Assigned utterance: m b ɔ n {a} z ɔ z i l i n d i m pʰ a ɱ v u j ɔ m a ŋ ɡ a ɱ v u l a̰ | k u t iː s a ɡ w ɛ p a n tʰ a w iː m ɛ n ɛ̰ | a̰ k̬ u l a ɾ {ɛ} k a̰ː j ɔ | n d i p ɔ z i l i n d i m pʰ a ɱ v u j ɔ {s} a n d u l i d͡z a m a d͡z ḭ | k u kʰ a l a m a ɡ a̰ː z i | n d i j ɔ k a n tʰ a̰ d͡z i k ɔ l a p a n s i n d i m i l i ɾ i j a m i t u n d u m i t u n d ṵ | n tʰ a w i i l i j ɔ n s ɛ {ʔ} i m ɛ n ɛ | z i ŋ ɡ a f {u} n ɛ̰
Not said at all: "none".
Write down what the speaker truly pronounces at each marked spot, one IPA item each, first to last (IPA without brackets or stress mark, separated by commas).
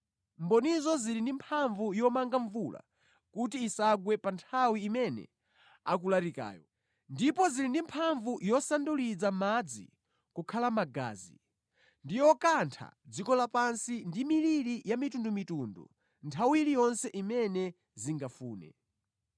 i, i, s, ʔ, uː